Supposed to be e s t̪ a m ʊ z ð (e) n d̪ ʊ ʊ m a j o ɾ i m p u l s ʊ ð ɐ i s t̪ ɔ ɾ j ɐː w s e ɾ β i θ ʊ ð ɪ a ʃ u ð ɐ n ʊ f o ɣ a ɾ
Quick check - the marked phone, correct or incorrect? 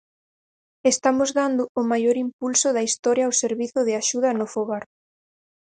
incorrect